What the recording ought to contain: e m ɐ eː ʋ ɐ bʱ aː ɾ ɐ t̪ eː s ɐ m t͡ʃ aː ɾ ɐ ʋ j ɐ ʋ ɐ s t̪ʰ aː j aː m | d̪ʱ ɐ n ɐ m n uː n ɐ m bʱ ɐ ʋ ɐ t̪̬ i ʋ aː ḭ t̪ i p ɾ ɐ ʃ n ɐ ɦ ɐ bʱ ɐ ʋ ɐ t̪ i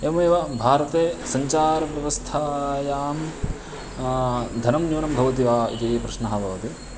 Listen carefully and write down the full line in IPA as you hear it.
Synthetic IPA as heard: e m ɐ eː ʋ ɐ bʱ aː ɾ ɐ t̪ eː s ɐ ɲ t͡ʃ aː ɾ ɐ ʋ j ɐ ʋ ɐ s t̪ʰ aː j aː m | d̪ʱ ɐ n ɐ m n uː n ɐ m bʱ ɐ ʋ ɐ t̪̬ i ʋ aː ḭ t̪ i p ɾ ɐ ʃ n ɐ ɦ ɐ bʱ ɐ ʋ ɐ t̪ i

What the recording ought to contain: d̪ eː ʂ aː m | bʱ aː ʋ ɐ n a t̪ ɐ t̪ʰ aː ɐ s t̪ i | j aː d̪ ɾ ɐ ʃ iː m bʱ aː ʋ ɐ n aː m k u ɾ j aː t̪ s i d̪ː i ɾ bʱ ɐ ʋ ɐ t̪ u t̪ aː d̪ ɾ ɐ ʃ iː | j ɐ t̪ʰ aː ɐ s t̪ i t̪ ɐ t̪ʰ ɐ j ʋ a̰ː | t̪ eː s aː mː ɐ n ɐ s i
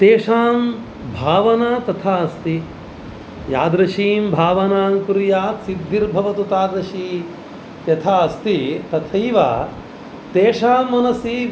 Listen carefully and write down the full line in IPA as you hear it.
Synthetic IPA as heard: t̪ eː ʂ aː m | bʱ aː ʋ ɐ n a t̪ ɐ t̪ʰ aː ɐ s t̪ i | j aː d̪ ɾ ɐ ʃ iː m bʱ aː ʋ ɐ n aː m k u ɾ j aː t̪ s i d̪ː i ɾ bʱ ɐ ʋ ɐ t̪ u t̪ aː d̪ ɾ ɐ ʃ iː | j ɐ t̪ʰ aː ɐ s t̪ i t̪ ɐ t̪ʰ ɐ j ʋ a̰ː | t̪ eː ʂ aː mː ɐ n ɐ s i

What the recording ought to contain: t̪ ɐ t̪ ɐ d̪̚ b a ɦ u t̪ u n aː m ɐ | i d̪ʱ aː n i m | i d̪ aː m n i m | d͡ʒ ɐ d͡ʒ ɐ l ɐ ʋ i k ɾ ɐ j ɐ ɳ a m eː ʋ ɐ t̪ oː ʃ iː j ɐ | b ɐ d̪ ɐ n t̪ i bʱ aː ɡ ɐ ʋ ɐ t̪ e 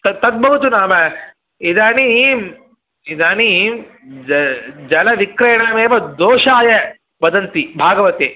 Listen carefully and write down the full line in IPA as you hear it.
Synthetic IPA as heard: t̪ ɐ t̪ ɐ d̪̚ b ɐ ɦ u t̪ u n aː m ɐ | i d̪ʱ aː n i m | i d̪ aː n i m | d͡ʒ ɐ d͡ʒ ɐ l ɐ ʋ i k ɾ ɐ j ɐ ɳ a m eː ʋ ɐ d̪ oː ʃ aː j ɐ | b ɐ d̪ ɐ n t̪ i bʱ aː ɡ ɐ ʋ ɐ t̪ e

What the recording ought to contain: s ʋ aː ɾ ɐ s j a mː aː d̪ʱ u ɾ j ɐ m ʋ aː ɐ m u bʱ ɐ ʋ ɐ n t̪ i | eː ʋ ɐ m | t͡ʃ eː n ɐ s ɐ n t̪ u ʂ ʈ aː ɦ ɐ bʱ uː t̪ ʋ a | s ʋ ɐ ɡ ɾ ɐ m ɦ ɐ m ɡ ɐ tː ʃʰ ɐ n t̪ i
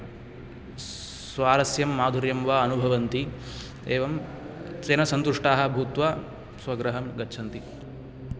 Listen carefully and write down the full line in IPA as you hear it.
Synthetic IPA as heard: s ʋ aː ɾ ɐ s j ɐ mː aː d̪ʱ u ɾ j ɐ m ʋ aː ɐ n u bʱ ɐ ʋ ɐ n t̪ i | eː ʋ ɐ m | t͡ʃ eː n ɐ s ɐ n t̪ u ʂ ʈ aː ɦ ɐ bʱ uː t̪ ʋ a | s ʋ ɐ ɡ ɾ ɐ ɦ ɐ m ɡ ɐ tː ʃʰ ɐ n t̪ i

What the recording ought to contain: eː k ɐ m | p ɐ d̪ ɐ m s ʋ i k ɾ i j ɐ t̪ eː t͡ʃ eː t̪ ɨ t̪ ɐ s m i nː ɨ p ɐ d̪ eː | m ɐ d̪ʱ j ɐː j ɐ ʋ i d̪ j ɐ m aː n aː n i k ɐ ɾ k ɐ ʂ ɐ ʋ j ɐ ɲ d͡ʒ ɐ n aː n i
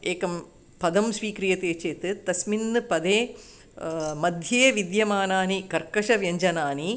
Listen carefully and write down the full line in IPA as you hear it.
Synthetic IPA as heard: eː k ɐ m | p ɐ d̪ ɐ m s ʋ iː k ɾ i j ɐ t̪ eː t͡ʃ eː t̪ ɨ t̪ ɐ s m i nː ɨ p ɐ d̪ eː | m ɐ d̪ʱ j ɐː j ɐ ʋ i d̪ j ɐ m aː n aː n i k ɐ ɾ k ɐ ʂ ɐ ʋ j ɐ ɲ d͡ʒ ɐ n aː n i

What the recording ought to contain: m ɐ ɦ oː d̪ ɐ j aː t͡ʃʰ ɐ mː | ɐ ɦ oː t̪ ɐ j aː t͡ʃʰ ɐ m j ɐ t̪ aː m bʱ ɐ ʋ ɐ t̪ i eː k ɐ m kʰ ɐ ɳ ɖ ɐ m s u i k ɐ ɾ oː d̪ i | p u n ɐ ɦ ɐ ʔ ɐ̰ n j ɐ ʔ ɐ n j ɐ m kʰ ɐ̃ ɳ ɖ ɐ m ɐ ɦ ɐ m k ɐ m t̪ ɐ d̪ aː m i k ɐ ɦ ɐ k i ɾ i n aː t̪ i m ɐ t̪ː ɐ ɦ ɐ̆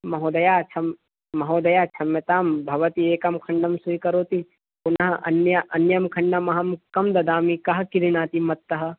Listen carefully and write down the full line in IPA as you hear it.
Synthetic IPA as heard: m ɐ ɦ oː d̪ ɐ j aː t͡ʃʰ ɐ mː | ɐ ɦ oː d̪ ɐ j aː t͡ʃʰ ɐ m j ɐ t̪ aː m bʱ ɐ ʋ ɐ t̪ i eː k ɐ m kʰ ɐ ɳ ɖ ɐ m s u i k ɐ ɾ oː t̪ i | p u n ɐ ɦ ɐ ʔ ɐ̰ n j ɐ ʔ ɐ n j ɐ m kʰ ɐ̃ ɳ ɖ ɐ m ɐ ɦ ɐ m k ɐ m d̪ ɐ d̪ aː m i k ɐ ɦ ɐ k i ɾ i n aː t̪ i m ɐ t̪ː ɐ ɦ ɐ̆

